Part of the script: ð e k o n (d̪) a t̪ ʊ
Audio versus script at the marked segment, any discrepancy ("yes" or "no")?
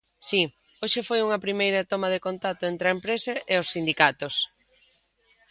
yes